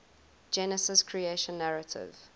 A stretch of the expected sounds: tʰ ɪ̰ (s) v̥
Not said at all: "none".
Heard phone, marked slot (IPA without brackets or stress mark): none